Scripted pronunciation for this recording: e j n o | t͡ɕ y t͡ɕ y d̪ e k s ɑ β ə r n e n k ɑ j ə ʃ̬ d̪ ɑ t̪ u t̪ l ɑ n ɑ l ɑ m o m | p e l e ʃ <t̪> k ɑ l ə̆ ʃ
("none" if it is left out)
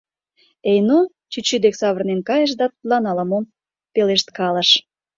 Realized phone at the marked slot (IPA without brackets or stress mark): t̪